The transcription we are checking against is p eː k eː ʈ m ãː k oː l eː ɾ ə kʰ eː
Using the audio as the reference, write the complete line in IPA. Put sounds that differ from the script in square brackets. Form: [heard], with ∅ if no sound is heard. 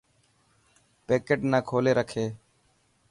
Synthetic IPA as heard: p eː k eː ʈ [n] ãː [kʰ] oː l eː ɾ ə kʰ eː